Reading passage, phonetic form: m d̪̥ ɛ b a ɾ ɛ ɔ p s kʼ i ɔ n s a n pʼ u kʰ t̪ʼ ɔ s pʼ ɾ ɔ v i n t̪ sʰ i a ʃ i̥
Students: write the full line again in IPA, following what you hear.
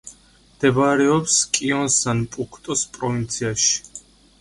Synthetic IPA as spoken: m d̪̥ ɛ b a ɾ ɛ ɔ p s kʼ i ɔ n s a n pʼ u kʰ t̪ʼ ɔ s pʼ ɾ ɔ v i n t̪ sʰ i a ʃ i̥